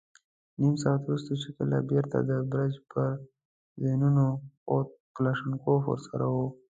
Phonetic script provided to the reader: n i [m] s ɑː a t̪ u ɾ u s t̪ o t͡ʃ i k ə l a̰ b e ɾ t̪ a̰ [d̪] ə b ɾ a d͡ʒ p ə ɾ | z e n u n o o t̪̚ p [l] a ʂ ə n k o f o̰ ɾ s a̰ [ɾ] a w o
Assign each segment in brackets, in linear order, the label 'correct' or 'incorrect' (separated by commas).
correct, correct, correct, correct